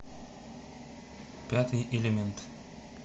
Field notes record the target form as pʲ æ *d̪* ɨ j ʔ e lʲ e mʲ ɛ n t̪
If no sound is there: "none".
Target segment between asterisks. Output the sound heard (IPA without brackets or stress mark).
t̪